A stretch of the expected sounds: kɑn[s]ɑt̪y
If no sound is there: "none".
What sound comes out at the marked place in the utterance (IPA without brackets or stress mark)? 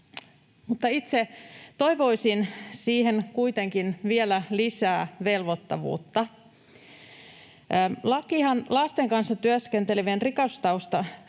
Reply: sː